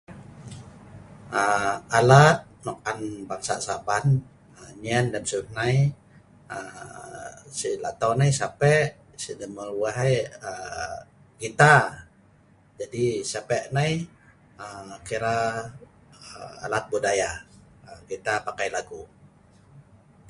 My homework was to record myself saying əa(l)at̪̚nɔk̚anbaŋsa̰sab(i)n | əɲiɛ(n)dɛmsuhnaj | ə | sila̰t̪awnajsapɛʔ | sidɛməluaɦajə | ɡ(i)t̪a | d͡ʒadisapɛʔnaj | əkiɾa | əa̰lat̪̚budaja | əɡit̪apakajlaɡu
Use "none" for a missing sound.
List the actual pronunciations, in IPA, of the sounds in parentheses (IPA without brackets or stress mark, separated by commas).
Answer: l, a, n, i